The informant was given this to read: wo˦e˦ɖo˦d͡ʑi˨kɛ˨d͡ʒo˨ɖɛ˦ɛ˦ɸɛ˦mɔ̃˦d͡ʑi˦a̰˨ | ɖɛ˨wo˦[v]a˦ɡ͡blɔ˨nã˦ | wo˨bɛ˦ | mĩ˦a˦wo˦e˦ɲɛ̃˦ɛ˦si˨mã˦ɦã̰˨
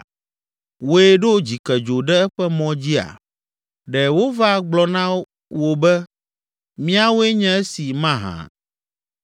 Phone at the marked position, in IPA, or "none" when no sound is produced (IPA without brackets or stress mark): v